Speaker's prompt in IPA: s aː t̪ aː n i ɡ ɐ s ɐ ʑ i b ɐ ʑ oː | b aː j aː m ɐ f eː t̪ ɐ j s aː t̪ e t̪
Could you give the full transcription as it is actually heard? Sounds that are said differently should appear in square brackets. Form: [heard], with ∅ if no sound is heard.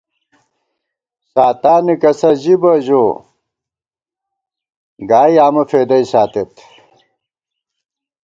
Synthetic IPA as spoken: s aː t̪ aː n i [k] ɐ s ɐ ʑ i b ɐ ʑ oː | [ɡ] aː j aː m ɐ f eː [d̪] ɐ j s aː t̪ e t̪